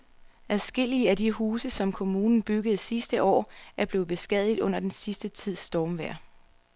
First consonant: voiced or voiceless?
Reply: voiced